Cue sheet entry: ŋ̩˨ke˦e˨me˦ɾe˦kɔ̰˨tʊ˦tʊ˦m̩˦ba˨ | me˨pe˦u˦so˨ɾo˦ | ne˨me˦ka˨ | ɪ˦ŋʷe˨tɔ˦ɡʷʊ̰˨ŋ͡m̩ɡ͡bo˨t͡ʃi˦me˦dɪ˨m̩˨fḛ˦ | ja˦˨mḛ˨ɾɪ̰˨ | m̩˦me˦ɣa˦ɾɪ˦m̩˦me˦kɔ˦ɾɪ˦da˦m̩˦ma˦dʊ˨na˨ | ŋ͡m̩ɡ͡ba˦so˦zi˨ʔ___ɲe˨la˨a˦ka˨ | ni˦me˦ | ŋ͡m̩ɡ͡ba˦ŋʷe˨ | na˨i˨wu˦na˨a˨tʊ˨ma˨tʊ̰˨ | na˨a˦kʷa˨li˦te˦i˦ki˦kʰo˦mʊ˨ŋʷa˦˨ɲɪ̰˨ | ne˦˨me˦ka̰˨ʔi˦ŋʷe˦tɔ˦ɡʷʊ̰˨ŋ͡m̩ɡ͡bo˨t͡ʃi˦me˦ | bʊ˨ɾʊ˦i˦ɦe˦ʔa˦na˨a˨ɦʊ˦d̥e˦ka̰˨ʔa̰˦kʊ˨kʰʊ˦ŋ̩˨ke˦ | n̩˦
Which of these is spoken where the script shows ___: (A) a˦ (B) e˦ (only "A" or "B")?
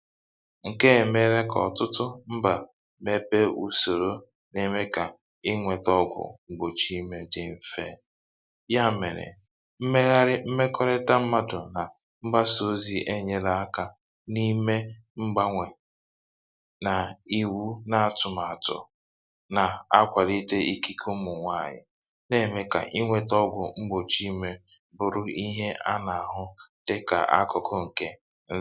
B